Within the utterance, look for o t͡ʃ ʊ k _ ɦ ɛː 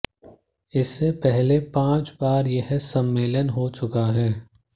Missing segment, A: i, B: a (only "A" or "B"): B